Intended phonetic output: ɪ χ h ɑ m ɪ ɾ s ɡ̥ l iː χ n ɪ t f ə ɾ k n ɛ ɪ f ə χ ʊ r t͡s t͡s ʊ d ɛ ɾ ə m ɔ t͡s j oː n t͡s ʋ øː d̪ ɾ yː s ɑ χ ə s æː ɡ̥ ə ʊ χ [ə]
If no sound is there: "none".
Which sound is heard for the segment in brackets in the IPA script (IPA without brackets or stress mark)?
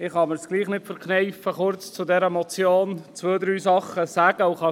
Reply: ɑ